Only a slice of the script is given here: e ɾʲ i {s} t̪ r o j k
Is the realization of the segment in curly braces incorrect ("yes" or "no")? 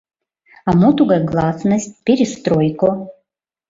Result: no